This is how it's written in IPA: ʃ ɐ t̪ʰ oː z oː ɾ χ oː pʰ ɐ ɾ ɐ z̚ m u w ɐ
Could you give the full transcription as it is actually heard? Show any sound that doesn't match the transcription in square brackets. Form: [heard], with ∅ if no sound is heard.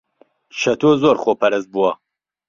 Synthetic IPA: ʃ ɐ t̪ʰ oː z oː ɾ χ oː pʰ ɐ ɾ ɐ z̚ [b] u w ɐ